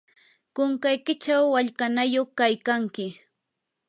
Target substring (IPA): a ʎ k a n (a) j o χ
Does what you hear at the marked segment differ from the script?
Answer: no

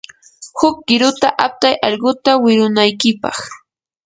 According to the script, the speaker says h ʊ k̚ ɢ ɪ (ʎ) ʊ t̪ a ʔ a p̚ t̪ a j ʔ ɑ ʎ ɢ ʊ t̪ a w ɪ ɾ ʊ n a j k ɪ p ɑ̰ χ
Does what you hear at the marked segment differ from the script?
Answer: yes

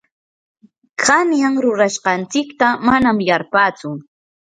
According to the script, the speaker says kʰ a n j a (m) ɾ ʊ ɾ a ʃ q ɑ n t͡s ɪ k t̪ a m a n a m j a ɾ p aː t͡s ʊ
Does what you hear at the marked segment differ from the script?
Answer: yes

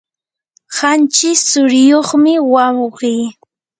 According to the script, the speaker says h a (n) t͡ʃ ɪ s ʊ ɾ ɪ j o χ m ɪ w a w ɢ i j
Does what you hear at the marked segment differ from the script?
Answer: no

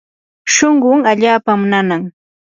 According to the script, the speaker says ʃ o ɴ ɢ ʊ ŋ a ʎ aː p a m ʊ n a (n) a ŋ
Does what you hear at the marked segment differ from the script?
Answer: no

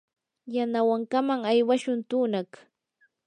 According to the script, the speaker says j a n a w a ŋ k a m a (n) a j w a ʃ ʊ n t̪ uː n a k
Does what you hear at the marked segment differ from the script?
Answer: yes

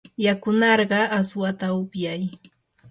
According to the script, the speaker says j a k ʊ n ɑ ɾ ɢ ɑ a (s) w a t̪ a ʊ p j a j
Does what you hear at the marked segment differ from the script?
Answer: no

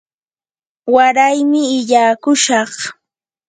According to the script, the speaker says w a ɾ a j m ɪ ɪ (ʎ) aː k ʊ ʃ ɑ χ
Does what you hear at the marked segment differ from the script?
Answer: no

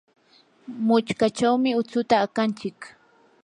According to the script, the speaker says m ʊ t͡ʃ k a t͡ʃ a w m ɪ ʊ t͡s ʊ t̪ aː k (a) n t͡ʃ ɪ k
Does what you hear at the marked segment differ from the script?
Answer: no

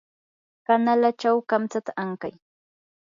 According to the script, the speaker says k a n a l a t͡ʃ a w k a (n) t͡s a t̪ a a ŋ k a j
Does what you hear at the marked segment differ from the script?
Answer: yes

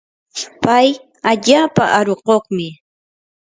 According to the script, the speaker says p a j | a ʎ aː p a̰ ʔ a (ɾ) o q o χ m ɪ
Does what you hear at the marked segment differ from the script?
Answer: no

